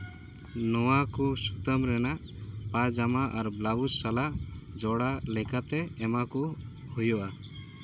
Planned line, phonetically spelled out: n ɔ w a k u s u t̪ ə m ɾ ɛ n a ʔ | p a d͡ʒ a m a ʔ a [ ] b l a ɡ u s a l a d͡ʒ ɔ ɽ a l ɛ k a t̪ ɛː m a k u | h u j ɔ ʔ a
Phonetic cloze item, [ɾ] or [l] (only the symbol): ɾ